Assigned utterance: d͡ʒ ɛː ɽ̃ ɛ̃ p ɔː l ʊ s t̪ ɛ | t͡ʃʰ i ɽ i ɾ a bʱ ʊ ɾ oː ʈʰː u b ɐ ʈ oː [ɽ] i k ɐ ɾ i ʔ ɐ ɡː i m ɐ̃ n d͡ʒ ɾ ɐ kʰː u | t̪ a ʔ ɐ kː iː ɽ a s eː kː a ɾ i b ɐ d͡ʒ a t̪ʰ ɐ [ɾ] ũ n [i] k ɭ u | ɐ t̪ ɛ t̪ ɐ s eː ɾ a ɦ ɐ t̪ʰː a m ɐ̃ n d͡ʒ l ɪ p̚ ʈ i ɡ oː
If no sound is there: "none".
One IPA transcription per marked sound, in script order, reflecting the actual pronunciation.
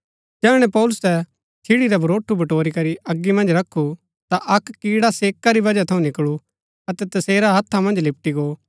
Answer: ɾ, none, ɪ

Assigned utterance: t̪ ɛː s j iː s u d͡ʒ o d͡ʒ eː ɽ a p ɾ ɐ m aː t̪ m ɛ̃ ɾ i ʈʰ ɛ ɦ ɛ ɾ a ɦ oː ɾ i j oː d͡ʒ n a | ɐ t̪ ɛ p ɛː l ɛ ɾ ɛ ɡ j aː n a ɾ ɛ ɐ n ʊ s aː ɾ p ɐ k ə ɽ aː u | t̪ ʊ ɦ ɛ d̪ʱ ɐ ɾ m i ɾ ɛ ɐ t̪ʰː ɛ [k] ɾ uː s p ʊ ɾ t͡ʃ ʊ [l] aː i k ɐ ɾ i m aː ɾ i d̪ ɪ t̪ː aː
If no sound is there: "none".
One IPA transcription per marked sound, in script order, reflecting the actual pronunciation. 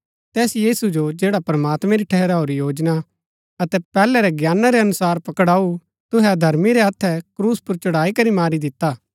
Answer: k, ɽ

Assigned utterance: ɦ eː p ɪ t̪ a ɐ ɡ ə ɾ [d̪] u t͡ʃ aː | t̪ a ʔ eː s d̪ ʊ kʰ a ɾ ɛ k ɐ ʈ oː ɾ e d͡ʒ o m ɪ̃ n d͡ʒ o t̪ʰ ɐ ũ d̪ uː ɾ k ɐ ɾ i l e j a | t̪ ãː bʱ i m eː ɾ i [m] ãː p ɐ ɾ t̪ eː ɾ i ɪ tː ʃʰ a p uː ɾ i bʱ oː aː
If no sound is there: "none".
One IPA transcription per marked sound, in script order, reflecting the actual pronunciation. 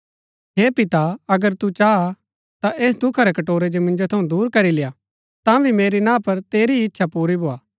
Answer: t̪, n

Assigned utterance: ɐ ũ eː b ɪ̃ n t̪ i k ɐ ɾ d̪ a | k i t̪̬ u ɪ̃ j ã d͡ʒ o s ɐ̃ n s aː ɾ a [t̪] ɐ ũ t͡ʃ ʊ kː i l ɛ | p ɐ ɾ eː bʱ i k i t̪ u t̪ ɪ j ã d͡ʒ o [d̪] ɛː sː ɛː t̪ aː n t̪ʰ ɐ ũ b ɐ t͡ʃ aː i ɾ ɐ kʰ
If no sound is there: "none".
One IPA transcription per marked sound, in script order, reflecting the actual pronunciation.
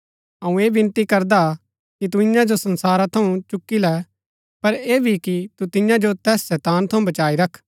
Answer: t̪ʰ, t̪

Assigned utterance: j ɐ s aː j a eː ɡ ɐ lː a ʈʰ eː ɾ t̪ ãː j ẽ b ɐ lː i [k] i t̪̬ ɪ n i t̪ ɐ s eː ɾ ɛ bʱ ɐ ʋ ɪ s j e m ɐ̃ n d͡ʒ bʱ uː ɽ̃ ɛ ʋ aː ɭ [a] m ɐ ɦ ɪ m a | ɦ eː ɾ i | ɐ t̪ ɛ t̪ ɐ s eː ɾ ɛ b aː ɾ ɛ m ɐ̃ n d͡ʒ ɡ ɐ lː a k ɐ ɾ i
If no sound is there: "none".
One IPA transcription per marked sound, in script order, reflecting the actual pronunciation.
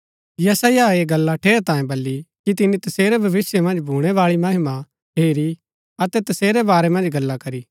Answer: k, i

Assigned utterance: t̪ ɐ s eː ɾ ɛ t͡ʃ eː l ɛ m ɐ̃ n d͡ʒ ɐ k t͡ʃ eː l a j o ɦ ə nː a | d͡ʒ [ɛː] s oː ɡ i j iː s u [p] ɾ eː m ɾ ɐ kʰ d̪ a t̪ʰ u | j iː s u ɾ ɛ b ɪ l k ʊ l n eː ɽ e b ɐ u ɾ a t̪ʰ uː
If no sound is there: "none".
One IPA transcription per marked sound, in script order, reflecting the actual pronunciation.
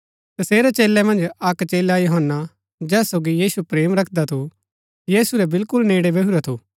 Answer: ɛː, p

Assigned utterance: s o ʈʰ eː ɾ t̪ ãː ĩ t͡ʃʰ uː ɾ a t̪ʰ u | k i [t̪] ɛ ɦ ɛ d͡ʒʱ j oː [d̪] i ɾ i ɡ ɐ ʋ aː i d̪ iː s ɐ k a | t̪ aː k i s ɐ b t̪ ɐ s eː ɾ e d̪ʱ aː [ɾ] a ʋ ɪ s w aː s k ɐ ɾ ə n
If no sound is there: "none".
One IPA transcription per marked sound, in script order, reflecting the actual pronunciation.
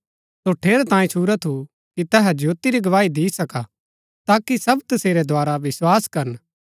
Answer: t̪, t̪, ɾ

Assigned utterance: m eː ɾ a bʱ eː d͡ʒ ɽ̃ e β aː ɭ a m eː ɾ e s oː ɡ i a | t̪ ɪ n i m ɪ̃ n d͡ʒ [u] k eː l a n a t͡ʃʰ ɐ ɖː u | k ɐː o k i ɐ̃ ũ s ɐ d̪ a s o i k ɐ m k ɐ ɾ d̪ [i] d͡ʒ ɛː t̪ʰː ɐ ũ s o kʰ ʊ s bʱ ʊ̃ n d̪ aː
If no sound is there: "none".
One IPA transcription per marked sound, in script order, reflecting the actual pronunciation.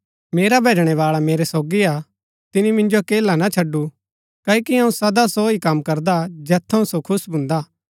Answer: o, a

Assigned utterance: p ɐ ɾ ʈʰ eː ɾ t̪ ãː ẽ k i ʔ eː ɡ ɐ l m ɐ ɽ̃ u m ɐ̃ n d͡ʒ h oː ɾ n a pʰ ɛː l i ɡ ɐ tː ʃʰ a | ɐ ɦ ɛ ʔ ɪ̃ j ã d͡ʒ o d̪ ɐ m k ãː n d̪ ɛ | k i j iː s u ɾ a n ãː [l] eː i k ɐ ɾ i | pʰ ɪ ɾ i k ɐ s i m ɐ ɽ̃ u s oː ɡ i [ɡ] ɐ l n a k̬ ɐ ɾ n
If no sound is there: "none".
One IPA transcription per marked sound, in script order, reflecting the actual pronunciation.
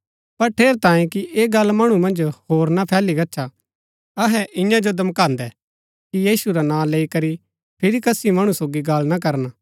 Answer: l, ɡ

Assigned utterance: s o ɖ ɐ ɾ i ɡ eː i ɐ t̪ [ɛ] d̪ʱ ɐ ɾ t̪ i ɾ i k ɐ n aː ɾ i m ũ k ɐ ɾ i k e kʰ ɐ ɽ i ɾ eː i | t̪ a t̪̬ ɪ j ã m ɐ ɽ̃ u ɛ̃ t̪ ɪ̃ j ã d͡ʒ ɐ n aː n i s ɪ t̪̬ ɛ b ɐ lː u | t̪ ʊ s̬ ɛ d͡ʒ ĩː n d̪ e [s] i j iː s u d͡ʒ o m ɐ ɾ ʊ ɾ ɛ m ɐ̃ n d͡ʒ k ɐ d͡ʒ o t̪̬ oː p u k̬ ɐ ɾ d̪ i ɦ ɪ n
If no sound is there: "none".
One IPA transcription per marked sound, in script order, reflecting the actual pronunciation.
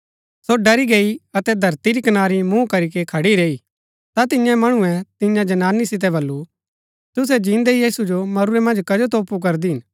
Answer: ɛ, none

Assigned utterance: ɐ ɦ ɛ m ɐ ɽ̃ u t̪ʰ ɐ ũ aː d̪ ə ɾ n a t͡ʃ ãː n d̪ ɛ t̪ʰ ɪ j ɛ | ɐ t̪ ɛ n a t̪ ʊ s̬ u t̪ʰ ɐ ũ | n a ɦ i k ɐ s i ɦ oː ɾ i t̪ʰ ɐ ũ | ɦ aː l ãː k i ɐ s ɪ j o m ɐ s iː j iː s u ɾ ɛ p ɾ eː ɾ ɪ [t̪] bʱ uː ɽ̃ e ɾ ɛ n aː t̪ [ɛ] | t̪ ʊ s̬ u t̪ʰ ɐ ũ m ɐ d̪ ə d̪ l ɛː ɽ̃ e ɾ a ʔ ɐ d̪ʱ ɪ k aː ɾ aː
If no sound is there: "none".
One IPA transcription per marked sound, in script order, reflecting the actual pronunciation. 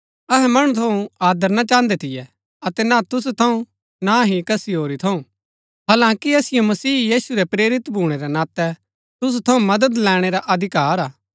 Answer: t̪, ɛ

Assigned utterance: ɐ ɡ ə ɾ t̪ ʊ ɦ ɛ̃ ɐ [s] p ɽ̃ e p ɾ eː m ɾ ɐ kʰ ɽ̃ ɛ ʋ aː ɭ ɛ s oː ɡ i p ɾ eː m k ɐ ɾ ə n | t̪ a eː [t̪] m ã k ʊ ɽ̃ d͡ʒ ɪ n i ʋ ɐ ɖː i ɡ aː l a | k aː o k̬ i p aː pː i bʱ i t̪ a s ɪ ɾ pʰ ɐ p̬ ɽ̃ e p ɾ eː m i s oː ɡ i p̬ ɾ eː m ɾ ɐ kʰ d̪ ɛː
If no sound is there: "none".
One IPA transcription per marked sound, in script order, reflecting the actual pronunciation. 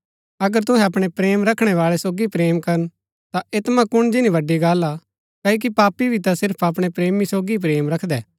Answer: none, t̪

